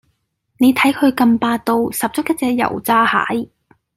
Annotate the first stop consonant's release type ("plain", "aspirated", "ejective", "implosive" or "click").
aspirated